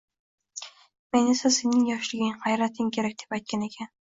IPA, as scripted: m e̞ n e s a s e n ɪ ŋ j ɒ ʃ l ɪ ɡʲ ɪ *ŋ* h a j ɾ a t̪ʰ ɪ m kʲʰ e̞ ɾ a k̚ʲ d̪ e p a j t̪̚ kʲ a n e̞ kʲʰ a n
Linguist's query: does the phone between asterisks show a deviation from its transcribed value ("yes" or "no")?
no